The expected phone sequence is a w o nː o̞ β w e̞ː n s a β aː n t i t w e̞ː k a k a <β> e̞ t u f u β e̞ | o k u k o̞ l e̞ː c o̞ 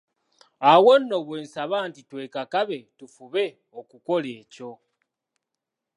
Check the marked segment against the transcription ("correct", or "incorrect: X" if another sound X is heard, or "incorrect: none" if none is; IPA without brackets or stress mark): correct